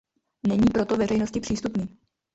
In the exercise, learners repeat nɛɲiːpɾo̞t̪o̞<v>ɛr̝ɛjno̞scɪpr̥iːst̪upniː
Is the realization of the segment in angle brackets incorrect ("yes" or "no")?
no